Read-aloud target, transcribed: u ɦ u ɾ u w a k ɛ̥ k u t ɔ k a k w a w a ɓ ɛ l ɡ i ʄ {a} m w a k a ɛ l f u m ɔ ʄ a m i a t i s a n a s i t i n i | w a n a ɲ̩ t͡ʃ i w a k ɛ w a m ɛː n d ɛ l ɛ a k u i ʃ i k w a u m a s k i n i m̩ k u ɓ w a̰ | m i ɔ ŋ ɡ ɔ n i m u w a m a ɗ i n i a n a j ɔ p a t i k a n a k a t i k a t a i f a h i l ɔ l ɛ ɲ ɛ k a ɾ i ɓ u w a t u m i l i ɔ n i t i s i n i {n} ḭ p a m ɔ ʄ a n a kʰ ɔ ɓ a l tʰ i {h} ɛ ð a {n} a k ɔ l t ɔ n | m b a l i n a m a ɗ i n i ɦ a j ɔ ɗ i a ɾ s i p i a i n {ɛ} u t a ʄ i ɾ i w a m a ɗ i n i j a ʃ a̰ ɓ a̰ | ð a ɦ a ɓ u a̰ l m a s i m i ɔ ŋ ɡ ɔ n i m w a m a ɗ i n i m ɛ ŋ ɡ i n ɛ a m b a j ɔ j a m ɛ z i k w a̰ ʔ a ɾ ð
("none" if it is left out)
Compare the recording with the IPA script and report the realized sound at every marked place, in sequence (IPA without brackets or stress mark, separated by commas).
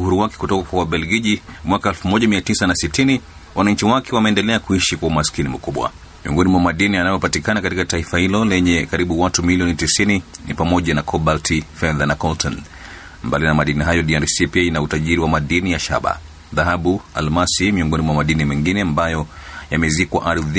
i, n, f, n, a